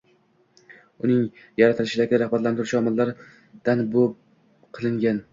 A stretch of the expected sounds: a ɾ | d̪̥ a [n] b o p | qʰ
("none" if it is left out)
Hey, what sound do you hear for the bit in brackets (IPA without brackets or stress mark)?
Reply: n